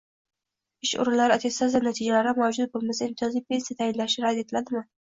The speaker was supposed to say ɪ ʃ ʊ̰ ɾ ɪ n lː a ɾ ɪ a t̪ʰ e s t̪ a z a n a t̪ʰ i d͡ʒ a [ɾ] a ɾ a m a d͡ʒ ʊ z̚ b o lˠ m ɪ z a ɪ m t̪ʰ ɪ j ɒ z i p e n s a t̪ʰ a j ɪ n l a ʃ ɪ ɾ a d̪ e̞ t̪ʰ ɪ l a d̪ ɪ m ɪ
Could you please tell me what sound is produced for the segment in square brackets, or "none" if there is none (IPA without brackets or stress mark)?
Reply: l